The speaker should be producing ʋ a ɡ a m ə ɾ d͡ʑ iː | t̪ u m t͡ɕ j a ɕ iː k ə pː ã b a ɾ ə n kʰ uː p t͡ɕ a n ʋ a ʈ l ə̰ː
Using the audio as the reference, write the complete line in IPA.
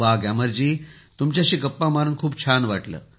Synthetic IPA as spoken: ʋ a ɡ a m ə ɾ d͡ʑ iː | t̪ u m t͡ɕ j a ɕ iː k ə pː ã m a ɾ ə n kʰ uː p t͡ɕʰ a n ʋ a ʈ l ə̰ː